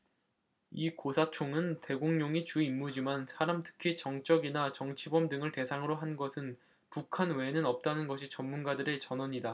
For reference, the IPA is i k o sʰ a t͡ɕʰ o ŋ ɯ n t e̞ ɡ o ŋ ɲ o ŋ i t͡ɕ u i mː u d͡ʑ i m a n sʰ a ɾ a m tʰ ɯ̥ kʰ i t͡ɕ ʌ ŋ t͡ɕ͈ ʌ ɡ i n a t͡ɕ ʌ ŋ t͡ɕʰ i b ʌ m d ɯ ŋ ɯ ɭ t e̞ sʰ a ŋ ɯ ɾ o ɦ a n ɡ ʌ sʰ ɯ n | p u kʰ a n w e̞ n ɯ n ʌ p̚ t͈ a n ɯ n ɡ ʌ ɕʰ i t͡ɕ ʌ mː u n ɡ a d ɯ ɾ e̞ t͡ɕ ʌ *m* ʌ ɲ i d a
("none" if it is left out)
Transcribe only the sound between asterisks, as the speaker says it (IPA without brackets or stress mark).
n